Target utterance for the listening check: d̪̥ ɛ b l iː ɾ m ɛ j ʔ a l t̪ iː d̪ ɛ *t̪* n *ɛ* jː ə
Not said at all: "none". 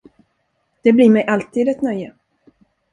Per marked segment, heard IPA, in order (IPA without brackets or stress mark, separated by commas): t̪, œ